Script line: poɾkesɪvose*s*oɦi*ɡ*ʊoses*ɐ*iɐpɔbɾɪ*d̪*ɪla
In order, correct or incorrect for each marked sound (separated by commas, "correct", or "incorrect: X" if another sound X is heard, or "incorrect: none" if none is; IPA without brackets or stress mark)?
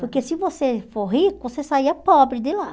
incorrect: f, incorrect: k, incorrect: a, correct